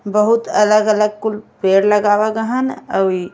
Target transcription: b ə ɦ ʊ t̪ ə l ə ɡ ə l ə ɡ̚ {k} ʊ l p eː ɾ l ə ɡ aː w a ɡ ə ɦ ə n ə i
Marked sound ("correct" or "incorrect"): correct